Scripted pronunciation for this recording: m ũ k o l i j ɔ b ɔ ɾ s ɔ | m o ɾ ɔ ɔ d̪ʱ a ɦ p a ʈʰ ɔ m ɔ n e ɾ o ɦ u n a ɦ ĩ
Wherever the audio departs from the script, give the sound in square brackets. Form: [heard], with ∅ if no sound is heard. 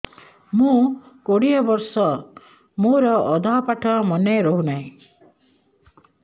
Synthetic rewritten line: m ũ k o [ɽ] i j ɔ b ɔ ɾ s ɔ | m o ɾ ɔ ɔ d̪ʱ a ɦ p a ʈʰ ɔ m ɔ n e ɾ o ɦ u n a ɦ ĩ